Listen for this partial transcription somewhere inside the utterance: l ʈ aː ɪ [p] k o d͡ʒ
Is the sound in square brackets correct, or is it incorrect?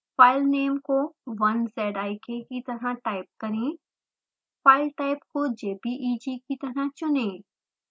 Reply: correct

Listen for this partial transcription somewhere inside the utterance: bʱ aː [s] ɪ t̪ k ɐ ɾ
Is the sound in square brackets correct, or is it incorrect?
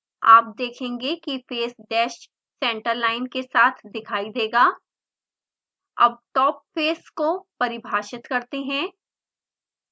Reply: incorrect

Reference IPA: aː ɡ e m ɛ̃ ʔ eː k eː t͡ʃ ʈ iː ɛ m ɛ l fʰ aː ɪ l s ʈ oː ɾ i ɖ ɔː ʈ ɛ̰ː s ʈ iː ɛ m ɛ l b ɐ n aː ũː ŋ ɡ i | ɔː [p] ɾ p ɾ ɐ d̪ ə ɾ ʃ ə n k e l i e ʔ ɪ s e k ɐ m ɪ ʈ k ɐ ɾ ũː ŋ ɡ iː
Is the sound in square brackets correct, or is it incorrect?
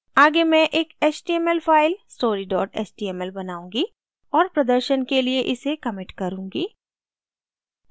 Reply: incorrect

